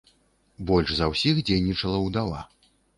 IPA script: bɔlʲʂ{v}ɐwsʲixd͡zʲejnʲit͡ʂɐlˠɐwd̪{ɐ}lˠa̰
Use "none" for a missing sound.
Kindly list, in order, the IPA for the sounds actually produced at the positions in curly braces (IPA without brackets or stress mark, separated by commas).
z, a